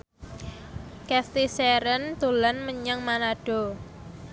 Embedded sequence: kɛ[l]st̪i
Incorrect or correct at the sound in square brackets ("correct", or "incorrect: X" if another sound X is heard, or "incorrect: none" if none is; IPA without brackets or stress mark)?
incorrect: none